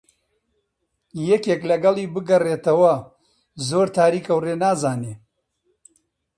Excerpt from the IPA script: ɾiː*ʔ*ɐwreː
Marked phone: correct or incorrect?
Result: incorrect